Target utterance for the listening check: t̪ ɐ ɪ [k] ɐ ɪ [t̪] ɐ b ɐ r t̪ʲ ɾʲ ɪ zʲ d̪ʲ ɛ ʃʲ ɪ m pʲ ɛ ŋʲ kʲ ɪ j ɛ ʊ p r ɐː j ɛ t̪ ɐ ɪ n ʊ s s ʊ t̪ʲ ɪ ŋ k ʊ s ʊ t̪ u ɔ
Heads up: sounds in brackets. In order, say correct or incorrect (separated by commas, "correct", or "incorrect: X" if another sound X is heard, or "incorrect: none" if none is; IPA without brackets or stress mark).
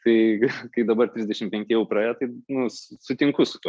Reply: correct, incorrect: d̪